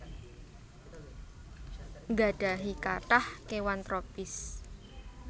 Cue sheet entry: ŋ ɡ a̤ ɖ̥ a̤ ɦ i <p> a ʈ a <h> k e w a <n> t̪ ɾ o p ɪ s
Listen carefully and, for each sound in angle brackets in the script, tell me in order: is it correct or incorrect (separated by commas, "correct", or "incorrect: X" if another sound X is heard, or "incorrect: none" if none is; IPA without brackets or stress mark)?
incorrect: k, correct, correct